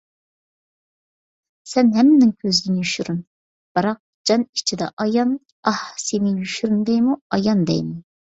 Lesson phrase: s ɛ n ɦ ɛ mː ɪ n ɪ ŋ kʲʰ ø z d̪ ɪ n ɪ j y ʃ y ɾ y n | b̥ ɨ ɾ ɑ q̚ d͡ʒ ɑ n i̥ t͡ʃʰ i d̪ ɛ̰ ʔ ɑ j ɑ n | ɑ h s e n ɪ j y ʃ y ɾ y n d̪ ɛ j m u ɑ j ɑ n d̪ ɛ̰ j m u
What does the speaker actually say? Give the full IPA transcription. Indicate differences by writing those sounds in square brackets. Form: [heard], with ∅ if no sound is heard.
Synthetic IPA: s ɛ n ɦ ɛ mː ɪ n ɪ ŋ kʲʰ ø z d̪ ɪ n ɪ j y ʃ y ɾ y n | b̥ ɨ ɾ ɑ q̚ d͡ʒ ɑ n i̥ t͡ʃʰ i d̪ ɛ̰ ʔ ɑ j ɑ n | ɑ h s e n ɪ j y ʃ y ɾ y n d̪ ɛ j m u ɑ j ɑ n d̪ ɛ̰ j m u